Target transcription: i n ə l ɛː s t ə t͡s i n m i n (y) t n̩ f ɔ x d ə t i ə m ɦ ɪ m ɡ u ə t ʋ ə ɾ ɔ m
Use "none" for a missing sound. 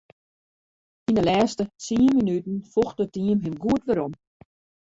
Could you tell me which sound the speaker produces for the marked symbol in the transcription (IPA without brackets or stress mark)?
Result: y